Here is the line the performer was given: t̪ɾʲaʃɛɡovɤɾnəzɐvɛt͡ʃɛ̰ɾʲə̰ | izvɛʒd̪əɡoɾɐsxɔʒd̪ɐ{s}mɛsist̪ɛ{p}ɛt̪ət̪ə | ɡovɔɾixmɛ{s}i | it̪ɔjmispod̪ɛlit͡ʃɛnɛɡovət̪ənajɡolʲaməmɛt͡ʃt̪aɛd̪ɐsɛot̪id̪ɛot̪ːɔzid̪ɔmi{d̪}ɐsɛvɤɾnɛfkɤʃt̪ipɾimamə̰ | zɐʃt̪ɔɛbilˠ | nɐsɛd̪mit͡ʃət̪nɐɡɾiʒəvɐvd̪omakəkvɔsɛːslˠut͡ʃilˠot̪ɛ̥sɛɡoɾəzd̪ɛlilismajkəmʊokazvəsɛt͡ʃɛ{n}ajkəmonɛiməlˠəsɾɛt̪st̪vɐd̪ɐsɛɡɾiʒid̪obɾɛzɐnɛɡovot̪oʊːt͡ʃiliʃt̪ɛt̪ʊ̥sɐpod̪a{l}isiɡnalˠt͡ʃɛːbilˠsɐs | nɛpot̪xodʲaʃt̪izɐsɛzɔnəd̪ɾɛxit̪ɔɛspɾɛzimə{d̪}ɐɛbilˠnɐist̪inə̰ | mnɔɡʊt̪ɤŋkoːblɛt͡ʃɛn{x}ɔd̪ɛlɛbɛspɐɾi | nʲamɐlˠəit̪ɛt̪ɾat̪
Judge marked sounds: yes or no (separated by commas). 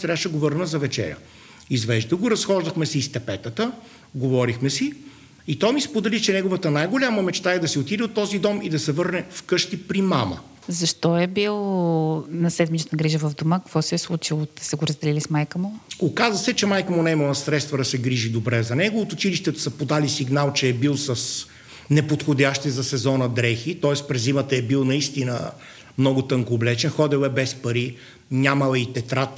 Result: no, yes, yes, yes, no, yes, no, yes